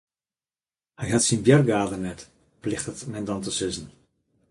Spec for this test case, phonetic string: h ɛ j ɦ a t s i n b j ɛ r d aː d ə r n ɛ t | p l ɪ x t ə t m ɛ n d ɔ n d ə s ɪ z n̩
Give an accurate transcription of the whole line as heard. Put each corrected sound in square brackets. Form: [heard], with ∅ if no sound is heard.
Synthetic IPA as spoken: h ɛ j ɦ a t s i n b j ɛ r [ɡ] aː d ə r n ɛ t | p l ɪ x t ə t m ɛ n d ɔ n [t] ə s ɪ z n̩